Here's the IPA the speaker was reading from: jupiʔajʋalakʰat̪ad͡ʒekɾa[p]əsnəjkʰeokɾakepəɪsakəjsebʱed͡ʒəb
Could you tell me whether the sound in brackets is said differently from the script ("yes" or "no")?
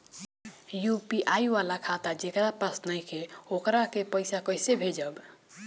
no